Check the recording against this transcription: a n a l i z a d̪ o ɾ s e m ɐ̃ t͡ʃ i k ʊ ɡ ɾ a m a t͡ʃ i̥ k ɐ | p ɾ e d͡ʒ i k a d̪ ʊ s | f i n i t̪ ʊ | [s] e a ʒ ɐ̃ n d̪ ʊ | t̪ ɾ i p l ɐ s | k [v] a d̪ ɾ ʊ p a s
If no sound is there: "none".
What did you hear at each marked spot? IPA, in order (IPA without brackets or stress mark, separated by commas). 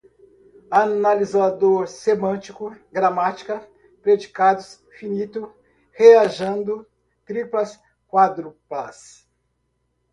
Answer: h, w